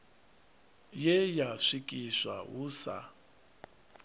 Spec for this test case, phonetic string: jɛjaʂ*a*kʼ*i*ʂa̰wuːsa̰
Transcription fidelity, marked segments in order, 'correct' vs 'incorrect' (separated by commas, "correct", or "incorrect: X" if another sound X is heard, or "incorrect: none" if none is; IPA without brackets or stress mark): incorrect: i, correct